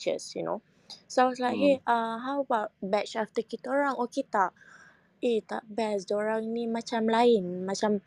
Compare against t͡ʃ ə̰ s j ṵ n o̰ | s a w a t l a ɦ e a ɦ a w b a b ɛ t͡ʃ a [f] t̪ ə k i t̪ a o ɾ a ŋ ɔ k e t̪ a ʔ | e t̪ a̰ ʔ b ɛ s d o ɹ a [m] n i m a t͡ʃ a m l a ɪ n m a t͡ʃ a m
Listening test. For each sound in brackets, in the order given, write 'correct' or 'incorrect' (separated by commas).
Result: correct, incorrect